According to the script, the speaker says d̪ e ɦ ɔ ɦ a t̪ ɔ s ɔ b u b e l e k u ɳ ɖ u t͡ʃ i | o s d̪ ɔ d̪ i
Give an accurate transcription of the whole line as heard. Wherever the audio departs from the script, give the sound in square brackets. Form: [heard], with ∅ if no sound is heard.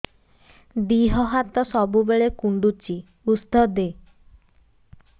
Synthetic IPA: d̪ [i] ɦ ɔ ɦ a t̪ ɔ s ɔ b u b e [ɭ] e k u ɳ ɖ u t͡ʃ i | [u] s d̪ ɔ d̪ [e]